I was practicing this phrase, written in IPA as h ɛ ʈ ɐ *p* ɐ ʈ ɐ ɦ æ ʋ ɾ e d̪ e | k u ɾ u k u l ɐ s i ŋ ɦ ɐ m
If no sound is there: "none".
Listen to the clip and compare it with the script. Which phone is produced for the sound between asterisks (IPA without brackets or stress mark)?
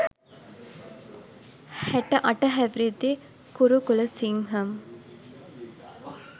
ʔ